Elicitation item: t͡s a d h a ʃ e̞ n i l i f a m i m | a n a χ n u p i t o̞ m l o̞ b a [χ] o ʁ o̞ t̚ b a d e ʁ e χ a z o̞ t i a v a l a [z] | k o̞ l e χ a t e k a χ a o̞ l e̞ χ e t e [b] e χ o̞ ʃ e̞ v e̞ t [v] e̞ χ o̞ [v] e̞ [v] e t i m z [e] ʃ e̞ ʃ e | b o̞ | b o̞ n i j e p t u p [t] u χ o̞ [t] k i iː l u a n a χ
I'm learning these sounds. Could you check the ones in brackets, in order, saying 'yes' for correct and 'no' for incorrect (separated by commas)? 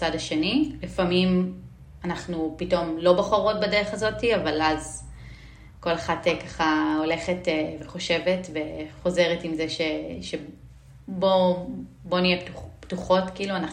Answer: yes, yes, no, yes, no, no, yes, yes, yes